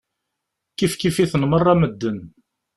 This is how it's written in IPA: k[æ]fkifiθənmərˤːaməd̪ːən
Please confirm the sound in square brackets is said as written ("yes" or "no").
no